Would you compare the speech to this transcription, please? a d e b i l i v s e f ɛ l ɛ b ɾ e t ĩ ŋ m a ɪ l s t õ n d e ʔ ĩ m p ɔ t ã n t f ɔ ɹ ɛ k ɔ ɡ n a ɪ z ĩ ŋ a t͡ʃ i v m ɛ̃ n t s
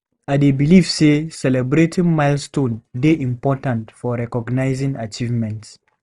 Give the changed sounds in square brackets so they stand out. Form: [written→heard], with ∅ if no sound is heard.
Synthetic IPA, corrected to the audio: a d e b i l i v s e [f→s] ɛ l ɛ b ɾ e t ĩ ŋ m a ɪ l s t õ n d e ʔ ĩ m p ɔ t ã n t f ɔ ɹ ɛ k ɔ ɡ n a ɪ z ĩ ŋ a t͡ʃ i v m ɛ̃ n t s